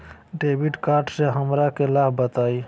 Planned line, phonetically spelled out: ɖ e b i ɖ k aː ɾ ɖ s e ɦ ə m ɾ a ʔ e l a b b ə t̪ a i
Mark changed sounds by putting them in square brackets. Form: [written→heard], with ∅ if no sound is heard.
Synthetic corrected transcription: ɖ e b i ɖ k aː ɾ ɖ s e ɦ ə m ɾ a [ʔ→k] e l a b b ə t̪ a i